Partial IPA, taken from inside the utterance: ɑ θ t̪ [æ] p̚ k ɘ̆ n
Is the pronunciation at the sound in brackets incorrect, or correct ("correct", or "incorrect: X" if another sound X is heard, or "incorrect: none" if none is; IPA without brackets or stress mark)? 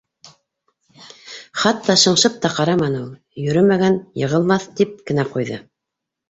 incorrect: i